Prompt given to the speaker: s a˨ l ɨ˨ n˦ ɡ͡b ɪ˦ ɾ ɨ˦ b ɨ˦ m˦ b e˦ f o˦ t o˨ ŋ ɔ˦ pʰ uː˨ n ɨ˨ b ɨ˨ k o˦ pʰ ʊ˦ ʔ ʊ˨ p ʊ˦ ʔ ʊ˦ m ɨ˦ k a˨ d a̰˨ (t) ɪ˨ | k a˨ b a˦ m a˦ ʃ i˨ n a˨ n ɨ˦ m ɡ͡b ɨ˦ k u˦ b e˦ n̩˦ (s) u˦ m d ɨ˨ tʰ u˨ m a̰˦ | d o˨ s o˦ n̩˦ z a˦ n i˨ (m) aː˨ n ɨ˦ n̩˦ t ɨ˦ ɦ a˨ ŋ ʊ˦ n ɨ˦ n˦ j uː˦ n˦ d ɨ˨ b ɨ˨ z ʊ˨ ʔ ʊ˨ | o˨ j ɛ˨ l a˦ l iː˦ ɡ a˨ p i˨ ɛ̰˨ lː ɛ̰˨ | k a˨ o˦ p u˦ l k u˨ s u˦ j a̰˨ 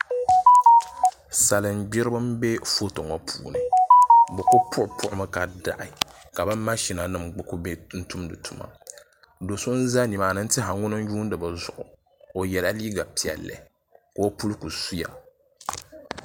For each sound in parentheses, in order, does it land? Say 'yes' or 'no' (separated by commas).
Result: no, no, yes